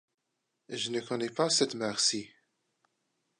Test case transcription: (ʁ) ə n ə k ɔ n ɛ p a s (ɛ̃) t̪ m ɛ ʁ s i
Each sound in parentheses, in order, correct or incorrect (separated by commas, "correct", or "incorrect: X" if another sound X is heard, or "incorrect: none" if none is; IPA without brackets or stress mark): incorrect: ʒ, incorrect: ɛ